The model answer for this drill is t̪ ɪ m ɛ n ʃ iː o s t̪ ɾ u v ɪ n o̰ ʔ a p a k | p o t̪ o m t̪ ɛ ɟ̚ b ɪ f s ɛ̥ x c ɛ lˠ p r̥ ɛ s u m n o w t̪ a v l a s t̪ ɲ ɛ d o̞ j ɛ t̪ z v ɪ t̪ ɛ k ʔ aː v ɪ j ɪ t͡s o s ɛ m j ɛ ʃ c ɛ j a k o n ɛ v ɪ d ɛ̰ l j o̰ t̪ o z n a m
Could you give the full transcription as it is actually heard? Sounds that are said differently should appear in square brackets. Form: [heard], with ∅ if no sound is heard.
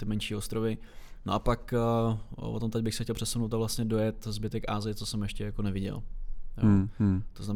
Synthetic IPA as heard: t̪ ɪ m ɛ n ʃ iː o s t̪ ɾ [o] v ɪ n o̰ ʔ a p a k | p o t̪ o m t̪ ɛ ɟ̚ b ɪ [x] s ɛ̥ x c ɛ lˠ p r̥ ɛ s u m n o w t̪ a v l a s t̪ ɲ ɛ d o̞ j ɛ t̪ z [b] ɪ t̪ ɛ k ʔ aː [z] ɪ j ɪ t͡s o s ɛ m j ɛ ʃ c ɛ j a k o n ɛ v ɪ [ɟ] ɛ̰ l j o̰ t̪ o z n a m